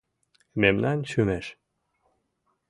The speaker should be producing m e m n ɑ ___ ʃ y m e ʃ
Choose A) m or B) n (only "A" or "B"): B